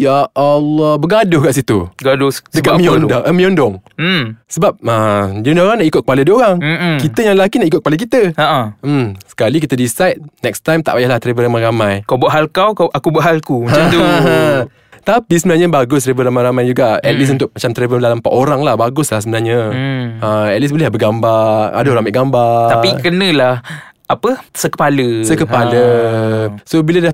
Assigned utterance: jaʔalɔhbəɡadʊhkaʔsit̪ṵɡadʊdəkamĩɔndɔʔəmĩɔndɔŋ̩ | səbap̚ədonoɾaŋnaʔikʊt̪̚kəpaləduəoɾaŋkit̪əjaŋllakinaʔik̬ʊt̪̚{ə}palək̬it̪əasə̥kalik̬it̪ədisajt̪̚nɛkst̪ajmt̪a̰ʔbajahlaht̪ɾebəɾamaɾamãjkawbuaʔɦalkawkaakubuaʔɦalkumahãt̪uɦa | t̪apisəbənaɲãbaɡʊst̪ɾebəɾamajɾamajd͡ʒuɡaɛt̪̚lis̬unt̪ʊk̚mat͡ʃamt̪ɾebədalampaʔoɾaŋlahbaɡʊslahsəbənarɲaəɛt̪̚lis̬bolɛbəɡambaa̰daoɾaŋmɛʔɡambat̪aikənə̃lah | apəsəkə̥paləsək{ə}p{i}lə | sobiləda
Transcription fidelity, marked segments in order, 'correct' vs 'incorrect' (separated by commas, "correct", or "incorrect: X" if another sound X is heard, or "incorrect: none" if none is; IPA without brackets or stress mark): correct, correct, incorrect: a